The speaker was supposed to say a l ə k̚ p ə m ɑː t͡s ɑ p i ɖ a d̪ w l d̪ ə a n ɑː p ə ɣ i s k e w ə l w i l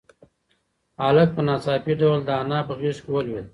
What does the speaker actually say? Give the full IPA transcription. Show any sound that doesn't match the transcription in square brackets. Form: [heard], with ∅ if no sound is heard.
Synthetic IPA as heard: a l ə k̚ p ə [n] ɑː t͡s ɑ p i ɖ a [∅] w l d̪ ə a n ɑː p ə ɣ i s k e w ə l w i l